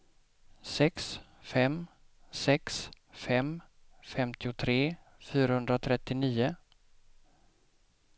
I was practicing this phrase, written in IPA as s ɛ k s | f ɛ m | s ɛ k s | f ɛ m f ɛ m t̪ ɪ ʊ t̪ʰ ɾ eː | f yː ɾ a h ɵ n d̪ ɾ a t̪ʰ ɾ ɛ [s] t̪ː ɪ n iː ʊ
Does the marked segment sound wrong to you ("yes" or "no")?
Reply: yes